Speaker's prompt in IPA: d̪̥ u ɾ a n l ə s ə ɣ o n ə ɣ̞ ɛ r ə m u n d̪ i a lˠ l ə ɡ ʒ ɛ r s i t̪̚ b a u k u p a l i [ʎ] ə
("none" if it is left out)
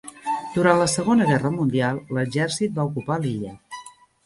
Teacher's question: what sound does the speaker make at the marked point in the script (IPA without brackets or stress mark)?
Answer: ʎ